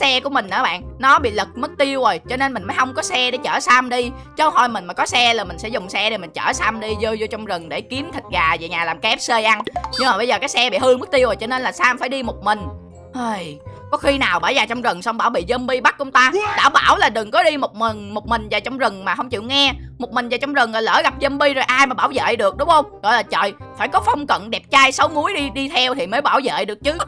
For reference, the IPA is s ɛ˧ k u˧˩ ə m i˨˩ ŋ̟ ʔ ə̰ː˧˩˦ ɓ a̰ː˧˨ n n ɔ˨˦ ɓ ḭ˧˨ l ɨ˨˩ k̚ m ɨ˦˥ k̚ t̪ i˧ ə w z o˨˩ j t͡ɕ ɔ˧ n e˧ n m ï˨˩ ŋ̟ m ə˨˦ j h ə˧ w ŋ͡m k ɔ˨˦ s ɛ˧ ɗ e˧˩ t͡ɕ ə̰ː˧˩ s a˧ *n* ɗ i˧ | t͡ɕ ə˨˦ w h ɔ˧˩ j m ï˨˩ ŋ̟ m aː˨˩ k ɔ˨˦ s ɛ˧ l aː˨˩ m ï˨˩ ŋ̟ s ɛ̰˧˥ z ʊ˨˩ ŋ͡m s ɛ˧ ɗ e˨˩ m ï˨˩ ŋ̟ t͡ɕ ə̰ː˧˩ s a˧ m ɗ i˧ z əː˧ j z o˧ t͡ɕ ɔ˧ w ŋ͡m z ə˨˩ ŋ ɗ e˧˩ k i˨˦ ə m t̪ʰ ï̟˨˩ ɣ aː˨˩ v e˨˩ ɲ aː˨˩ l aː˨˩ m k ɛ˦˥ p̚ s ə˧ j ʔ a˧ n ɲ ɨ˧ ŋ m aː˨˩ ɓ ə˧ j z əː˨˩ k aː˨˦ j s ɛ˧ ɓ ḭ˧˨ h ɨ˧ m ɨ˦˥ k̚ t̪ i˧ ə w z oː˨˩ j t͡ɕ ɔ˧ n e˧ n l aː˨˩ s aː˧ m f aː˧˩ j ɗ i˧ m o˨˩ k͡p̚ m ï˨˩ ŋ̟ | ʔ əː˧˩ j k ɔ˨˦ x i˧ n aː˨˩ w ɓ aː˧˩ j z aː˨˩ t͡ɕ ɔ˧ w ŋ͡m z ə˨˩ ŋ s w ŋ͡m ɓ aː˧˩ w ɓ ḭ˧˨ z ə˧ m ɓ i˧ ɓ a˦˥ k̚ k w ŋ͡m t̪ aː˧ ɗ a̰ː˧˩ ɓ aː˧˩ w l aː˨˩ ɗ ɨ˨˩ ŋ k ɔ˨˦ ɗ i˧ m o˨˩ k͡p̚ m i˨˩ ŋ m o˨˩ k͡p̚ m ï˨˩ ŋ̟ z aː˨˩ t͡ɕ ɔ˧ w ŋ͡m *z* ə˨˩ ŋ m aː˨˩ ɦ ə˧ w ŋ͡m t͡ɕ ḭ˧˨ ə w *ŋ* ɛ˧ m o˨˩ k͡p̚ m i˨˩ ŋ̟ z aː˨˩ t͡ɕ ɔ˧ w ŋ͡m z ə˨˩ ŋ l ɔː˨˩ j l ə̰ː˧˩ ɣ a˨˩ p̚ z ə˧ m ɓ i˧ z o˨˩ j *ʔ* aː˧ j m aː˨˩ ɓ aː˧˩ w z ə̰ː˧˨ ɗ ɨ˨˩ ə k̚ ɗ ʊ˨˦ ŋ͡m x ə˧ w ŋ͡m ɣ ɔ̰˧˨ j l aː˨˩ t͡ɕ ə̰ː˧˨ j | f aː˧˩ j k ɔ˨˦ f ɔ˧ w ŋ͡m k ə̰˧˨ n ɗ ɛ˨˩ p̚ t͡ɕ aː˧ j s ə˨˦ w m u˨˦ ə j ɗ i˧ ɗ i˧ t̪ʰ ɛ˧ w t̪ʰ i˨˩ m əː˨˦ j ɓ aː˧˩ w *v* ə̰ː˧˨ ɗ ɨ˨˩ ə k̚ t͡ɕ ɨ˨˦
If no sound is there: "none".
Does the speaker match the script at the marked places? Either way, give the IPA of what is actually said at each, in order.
m, z, ŋ, ʔ, z

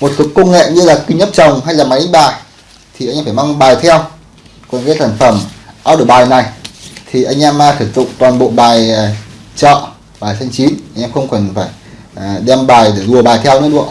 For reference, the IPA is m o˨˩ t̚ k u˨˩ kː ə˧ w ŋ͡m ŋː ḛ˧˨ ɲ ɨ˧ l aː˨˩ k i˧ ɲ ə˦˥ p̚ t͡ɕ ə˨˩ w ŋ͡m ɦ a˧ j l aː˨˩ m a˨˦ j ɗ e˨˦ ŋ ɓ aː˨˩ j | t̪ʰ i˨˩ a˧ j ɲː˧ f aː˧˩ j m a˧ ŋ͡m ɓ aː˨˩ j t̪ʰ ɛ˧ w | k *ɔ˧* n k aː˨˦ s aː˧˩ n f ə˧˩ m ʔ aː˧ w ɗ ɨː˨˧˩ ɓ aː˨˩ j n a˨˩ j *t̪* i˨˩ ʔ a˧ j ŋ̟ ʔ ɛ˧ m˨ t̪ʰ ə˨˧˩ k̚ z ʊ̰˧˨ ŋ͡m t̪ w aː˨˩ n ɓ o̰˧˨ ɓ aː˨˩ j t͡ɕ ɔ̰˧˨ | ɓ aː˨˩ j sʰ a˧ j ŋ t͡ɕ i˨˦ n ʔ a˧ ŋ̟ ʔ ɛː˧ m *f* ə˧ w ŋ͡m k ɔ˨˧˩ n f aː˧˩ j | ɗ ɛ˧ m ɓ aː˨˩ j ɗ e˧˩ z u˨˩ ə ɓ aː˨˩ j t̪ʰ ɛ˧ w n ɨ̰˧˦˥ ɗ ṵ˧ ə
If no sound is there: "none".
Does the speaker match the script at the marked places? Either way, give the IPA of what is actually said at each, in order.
ɔ˨˩, t̪ʰ, x

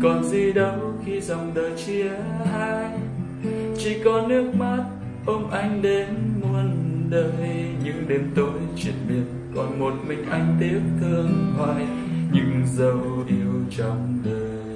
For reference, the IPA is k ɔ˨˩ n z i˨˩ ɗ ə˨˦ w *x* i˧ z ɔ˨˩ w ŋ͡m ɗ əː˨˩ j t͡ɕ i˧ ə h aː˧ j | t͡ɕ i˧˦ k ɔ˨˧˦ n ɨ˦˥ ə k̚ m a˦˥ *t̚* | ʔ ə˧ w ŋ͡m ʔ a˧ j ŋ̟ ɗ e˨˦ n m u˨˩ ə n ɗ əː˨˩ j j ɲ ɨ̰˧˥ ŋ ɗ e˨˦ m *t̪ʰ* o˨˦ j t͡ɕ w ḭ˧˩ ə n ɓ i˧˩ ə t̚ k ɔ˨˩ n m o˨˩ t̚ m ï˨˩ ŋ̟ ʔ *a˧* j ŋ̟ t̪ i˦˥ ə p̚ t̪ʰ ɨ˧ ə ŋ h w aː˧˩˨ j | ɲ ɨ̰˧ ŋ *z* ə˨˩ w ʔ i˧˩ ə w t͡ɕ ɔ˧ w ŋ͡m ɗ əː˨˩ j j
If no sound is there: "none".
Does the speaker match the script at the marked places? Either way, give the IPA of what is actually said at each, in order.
x, t̚, t̪, a˧, z

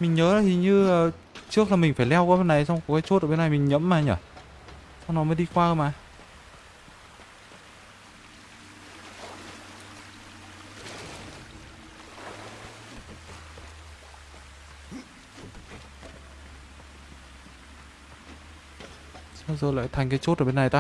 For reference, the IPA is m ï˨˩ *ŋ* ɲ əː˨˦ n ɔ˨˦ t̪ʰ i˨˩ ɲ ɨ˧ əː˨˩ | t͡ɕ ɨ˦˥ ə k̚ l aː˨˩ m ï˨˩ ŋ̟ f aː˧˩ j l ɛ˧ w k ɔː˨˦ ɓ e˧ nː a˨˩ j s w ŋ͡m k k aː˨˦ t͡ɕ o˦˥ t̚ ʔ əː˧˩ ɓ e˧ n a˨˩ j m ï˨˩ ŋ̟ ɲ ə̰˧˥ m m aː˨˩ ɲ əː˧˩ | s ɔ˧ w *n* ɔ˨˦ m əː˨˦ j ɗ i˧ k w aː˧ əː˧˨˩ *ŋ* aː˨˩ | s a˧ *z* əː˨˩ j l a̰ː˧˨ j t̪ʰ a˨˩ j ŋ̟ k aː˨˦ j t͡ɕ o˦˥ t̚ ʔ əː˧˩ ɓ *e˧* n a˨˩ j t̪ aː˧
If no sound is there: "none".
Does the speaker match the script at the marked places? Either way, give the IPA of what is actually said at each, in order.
ŋ, n, m, z, e˧

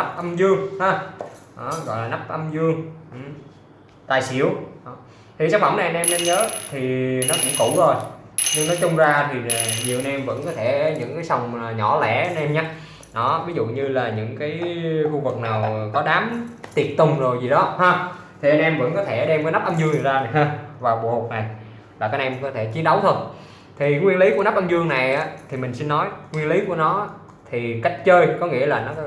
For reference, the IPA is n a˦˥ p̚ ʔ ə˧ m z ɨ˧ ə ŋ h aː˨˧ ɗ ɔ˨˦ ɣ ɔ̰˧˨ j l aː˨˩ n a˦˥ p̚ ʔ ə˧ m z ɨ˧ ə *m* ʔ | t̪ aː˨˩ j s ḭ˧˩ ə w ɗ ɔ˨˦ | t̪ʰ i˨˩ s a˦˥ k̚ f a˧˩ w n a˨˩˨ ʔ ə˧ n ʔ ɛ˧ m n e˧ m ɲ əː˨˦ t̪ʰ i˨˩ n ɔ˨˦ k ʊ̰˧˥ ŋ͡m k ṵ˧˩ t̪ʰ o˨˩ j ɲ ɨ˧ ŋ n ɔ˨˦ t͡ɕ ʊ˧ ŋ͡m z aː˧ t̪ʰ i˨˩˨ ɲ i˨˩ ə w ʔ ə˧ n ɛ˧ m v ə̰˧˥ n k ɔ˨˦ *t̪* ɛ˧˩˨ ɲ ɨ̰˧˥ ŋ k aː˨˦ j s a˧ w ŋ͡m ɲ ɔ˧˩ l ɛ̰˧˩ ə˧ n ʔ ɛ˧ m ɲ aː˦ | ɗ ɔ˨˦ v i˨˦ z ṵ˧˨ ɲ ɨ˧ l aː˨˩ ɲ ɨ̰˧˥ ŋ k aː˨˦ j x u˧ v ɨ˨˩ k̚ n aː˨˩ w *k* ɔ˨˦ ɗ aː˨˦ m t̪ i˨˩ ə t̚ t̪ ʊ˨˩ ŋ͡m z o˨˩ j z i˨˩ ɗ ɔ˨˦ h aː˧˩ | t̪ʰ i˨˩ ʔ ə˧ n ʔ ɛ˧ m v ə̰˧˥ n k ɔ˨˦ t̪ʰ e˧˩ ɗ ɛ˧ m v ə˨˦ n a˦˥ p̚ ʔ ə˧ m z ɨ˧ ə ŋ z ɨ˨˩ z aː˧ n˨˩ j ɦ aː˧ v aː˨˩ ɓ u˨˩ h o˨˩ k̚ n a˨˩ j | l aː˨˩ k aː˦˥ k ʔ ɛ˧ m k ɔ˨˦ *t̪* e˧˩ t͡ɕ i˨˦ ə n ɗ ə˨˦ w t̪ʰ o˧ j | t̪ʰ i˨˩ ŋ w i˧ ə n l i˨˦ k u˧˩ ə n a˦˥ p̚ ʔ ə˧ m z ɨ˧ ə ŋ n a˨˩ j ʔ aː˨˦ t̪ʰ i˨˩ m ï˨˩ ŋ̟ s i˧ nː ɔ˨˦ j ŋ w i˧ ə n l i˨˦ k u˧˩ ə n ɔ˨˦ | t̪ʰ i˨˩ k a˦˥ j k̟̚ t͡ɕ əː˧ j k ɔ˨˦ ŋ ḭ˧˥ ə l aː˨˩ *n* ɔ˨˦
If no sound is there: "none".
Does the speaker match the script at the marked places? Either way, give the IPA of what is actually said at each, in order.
ŋ, t̪ʰ, k, t̪ʰ, n

